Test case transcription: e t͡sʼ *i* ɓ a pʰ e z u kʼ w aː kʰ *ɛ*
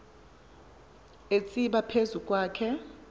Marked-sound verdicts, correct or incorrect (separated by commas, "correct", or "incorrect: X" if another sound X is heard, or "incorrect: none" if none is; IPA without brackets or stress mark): correct, correct